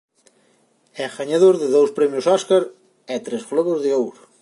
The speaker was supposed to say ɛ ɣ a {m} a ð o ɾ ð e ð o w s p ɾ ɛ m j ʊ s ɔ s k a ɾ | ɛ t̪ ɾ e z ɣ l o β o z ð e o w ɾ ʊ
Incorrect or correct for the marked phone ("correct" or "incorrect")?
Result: incorrect